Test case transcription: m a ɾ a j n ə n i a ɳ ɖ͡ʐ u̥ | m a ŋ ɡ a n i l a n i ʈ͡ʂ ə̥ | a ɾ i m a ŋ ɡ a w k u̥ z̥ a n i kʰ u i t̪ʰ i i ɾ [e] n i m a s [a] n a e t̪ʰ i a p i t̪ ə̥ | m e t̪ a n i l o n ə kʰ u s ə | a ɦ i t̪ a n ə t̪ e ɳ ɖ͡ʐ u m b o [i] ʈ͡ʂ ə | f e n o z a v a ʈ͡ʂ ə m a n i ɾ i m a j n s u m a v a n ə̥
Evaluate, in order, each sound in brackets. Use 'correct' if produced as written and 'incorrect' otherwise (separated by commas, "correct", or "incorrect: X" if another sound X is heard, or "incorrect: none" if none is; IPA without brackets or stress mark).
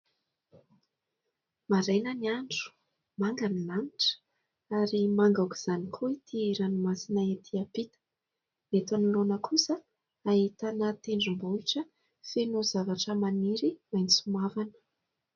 incorrect: a, incorrect: i, correct